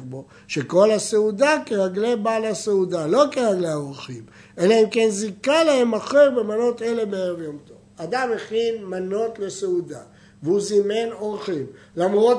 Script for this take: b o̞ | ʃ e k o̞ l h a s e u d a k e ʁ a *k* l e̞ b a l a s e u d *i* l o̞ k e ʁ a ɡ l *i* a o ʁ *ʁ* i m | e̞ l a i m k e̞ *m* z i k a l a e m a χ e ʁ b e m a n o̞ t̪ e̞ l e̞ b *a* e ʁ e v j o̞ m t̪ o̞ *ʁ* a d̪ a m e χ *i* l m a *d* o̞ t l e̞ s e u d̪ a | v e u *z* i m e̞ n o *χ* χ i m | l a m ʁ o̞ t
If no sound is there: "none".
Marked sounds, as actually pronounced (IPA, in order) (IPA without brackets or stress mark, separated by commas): ɡ, a, e, χ, n, e, v, i, n, z, ʁ